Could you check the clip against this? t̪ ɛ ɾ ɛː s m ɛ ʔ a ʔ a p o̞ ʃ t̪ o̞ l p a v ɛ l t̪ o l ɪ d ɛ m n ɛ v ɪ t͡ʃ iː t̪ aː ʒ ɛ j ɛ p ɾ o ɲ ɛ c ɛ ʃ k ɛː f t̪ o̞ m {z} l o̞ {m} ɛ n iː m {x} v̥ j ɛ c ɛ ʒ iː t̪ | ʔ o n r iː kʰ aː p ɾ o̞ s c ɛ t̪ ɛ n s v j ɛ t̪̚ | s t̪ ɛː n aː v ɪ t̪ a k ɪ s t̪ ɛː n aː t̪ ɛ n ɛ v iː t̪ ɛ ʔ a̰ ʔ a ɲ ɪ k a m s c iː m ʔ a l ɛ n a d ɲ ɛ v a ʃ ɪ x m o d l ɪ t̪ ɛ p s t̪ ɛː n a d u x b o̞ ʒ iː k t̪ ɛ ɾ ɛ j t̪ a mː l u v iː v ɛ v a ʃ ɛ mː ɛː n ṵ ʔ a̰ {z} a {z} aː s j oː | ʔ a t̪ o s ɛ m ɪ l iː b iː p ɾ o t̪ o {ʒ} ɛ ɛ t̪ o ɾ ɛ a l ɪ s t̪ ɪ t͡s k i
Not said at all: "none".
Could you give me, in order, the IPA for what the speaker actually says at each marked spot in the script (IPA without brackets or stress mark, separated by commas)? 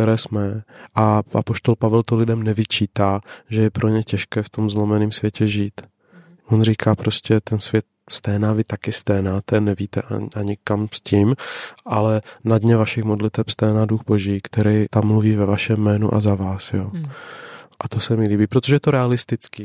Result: z, m, s, z, v, ʒ